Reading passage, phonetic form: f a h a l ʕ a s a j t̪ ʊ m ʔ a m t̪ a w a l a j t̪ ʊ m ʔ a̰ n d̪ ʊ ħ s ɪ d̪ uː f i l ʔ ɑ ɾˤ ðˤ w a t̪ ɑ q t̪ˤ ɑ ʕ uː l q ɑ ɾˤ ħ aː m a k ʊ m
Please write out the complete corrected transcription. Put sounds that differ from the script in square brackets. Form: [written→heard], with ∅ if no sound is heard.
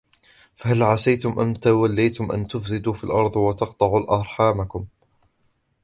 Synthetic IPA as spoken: f a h a l ʕ a s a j t̪ ʊ m ʔ a m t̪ a w a [l→lː] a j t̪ ʊ m ʔ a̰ n [d̪→t̪] ʊ [ħ→f] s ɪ d̪ uː f i l ʔ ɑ ɾˤ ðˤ w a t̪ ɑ q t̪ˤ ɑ ʕ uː l [q→ʔ] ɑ ɾˤ ħ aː m a k ʊ m